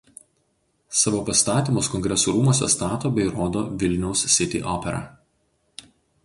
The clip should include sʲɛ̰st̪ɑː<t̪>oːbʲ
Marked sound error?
no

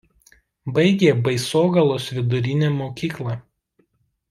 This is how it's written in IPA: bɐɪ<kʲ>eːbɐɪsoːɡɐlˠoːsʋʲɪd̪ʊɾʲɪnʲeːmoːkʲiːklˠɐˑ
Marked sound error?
yes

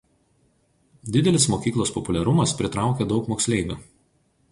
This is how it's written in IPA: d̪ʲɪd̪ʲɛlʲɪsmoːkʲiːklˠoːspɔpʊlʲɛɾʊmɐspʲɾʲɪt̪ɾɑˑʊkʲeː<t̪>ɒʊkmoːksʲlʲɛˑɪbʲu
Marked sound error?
yes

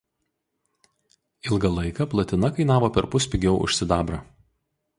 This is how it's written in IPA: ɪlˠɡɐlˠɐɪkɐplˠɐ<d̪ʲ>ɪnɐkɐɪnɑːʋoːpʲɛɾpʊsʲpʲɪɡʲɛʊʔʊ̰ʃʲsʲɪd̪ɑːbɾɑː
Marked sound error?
yes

